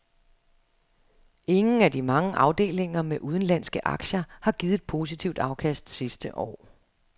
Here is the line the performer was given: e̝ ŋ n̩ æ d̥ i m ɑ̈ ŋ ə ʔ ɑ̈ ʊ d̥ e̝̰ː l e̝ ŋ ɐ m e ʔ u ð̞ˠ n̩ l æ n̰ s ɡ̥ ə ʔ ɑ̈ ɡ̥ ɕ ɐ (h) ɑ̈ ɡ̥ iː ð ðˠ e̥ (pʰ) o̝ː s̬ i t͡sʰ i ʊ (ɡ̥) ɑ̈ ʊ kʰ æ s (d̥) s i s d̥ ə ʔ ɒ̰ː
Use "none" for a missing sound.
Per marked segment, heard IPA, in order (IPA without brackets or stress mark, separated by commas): h, pʰ, d̥, d̥